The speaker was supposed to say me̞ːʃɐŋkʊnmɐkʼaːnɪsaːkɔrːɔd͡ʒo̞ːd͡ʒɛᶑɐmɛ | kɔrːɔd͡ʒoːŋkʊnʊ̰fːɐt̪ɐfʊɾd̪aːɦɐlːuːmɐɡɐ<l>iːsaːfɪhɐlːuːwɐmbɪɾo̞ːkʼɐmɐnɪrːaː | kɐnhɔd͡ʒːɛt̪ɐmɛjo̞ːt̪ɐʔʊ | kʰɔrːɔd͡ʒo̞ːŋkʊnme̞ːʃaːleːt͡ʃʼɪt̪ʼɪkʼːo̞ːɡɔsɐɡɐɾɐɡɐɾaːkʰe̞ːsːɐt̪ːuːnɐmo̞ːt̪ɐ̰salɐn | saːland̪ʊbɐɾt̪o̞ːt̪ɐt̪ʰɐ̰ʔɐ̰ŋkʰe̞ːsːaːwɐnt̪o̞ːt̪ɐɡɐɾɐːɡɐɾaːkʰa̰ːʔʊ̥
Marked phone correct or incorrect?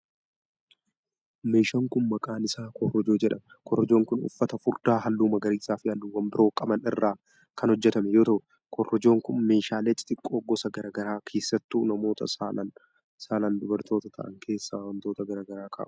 incorrect